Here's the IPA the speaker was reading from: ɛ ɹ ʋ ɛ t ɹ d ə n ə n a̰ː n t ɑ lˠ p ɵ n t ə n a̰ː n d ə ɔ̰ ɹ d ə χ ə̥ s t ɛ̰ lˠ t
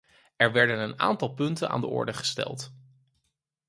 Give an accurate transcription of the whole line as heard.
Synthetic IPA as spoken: ɛ ɹ ʋ ɛ ɹ d ə n ə n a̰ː n t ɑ lˠ p ɵ n t ə n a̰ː n d ə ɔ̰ ɹ d ə χ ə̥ s t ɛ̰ lˠ t